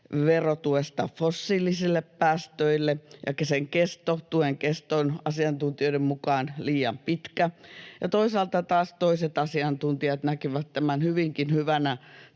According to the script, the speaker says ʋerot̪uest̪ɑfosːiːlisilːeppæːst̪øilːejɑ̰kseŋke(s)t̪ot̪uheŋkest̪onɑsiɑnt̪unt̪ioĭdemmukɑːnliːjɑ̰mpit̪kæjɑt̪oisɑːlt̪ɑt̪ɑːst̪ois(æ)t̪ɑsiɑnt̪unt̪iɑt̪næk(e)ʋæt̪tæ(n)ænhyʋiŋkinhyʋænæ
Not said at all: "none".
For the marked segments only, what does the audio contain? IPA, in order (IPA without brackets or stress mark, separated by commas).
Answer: s, e, i, m